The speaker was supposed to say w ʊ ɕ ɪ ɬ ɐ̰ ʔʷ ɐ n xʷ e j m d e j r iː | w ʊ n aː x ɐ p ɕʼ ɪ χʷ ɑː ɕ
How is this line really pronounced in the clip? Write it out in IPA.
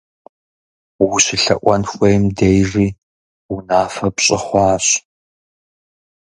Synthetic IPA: w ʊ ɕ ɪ ɬ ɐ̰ ʔʷ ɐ n xʷ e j m d e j r iː | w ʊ n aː f ɐ p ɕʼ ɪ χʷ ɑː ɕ

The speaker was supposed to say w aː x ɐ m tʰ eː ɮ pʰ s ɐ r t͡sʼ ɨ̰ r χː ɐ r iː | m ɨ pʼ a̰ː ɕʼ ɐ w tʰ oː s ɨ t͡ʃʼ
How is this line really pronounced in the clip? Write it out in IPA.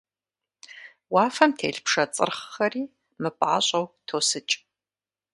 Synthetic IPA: w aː f ɐ m tʰ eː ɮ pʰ ʂ ɐ t͡sʼ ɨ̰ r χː ɐ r iː | m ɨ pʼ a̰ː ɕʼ ɐ w tʰ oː s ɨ t͡ʃʼ

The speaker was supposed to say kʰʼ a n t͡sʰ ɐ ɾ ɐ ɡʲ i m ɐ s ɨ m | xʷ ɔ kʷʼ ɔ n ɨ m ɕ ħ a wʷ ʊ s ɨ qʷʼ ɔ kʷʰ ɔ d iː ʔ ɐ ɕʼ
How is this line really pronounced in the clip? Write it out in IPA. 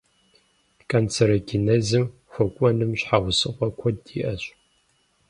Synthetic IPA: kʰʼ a n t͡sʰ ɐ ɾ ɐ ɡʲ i n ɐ z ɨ m | xʷ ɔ kʷʼ ɔ n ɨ m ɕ ħ a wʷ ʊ s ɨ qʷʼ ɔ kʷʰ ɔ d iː ʔ ɐ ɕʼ

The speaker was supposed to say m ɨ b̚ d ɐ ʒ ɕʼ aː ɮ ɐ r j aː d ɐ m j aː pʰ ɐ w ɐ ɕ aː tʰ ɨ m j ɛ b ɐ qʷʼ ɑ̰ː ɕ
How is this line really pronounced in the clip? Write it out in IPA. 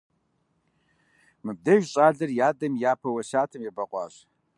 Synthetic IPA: m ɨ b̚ d ɐ ʒ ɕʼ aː ɮ ɐ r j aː d ɐ m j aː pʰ ɐ w ɐ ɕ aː tʰ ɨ m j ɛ b ɐ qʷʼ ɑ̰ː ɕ

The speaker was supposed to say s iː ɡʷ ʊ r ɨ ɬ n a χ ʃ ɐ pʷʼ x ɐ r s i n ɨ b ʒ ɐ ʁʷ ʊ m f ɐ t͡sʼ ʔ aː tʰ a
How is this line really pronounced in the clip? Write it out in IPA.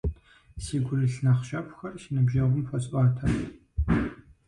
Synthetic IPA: s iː ɡʷ ʊ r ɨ ɬ n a χ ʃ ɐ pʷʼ x ɐ r ʃ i n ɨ b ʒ ɐ ʁʷ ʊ m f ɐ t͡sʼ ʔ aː tʰ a

